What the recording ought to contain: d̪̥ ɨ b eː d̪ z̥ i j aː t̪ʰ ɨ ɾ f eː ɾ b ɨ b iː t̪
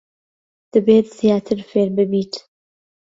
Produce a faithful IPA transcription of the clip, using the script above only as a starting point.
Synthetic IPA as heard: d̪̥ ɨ b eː t̪ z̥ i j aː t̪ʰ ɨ ɾ f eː ɾ b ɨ b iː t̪